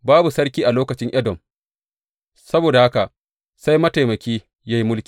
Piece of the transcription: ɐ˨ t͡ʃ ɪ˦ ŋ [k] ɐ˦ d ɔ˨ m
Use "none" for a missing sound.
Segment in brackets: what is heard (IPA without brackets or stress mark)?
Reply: ʔ